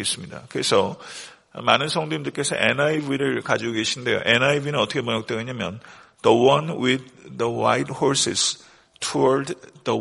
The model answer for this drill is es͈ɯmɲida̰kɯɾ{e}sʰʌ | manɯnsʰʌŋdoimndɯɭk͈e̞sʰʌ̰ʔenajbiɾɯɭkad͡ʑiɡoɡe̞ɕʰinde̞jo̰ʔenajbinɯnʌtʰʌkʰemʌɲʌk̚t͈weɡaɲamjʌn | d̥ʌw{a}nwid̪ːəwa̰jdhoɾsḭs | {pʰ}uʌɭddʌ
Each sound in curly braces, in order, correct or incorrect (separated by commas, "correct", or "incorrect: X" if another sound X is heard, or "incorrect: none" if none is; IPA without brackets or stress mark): correct, incorrect: ʌ, incorrect: tʰ